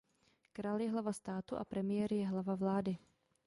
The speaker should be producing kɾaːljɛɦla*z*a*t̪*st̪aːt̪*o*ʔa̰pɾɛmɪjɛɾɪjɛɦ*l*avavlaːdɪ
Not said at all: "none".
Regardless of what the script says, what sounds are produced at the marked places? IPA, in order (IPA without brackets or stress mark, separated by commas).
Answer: v, none, u, l